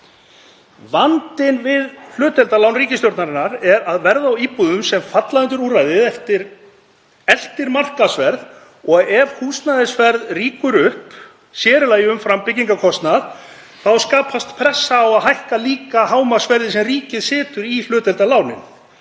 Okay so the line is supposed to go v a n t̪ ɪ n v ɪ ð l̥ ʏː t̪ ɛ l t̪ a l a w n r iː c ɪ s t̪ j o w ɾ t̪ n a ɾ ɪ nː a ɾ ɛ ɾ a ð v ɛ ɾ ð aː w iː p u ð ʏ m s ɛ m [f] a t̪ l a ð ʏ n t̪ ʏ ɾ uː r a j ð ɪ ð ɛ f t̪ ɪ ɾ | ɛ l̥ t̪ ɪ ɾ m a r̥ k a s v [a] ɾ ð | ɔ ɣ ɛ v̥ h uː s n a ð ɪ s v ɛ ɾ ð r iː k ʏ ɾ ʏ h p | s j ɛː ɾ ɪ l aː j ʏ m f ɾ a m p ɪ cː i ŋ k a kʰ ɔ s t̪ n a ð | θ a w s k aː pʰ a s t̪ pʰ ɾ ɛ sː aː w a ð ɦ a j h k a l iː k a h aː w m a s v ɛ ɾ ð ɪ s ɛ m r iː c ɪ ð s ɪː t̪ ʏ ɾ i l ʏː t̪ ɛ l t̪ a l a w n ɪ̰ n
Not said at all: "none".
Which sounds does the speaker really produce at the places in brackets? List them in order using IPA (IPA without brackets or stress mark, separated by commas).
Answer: f, ɛ